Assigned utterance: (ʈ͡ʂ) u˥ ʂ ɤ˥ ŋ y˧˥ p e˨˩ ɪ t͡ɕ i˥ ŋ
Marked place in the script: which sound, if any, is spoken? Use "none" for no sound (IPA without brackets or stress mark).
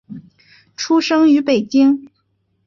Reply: ʈ͡ʂʰ